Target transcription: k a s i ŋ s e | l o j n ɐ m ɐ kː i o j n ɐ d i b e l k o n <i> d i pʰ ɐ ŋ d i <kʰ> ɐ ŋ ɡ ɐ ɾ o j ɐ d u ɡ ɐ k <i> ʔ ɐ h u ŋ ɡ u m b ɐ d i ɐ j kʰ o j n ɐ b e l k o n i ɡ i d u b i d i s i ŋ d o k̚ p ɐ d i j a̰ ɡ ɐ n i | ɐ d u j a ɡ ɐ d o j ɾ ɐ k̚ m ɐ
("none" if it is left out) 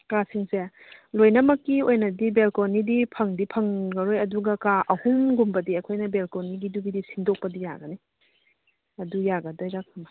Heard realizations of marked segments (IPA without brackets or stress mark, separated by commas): i, pʰ, a